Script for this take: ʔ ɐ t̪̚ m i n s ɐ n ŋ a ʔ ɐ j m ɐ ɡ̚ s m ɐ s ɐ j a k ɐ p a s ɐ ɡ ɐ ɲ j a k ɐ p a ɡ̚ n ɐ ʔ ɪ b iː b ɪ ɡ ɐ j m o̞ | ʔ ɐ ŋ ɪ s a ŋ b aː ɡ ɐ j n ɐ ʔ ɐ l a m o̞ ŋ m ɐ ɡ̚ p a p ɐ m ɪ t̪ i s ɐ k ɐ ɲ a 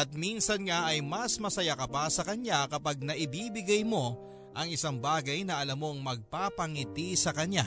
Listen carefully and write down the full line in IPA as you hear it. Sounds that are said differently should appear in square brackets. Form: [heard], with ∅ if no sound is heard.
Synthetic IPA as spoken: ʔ ɐ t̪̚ m i n s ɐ n ŋ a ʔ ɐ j m ɐ [∅] s m ɐ s ɐ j a k ɐ p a s ɐ [k] ɐ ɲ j a k ɐ p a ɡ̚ n ɐ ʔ ɪ b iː b ɪ ɡ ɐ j m o̞ | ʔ ɐ ŋ ɪ s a ŋ b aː ɡ ɐ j n ɐ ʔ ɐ l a m o̞ ŋ m ɐ ɡ̚ p a p ɐ [ŋ] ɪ t̪ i s ɐ k ɐ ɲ a